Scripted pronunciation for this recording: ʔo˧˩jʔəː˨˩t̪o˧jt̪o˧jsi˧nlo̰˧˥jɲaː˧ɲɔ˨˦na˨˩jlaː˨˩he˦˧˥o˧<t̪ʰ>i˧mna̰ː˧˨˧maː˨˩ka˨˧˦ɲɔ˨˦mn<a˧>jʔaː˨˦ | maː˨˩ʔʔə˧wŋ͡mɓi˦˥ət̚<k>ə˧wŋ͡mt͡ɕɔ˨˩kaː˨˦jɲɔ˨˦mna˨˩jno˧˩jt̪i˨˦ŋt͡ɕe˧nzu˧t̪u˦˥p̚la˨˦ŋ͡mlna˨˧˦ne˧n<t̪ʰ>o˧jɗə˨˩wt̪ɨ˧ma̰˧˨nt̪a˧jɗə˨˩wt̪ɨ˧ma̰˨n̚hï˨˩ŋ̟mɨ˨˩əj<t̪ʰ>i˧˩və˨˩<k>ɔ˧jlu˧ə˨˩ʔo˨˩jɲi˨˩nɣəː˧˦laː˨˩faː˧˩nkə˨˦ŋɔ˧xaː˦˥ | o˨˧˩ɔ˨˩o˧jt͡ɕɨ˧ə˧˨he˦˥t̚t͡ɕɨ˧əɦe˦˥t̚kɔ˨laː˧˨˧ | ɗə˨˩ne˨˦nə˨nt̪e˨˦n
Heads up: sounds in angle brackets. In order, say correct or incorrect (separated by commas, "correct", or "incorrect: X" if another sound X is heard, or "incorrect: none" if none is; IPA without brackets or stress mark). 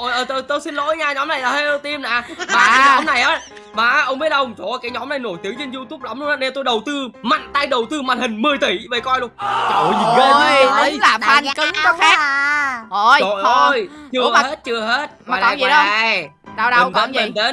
incorrect: t̪, incorrect: a˨˩, incorrect: ʔ, incorrect: t̪, incorrect: t̪, correct